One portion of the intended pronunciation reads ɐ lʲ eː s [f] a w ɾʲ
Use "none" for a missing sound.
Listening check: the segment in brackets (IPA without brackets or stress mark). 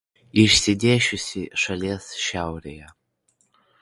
ʃ